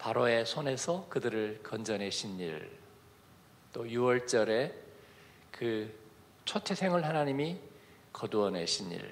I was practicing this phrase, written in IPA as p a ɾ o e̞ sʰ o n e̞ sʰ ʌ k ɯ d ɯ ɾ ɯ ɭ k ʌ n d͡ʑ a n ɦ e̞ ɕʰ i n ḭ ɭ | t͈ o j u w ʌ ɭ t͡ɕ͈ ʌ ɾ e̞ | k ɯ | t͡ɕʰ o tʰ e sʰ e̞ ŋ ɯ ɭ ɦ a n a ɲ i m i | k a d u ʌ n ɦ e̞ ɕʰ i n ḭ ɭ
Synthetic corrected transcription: p a ɾ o e̞ sʰ o n e̞ sʰ ʌ k ɯ d ɯ ɾ ɯ ɭ k ʌ n d͡ʑ ʌ n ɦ e̞ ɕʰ i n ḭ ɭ | t͈ o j u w ʌ ɭ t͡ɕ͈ ʌ ɾ e̞ | k ɯ | t͡ɕʰ o tʰ e sʰ e̞ ŋ ɯ ɭ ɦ a n a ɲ i m i | k ʌ d u ʌ n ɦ e̞ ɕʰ i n ḭ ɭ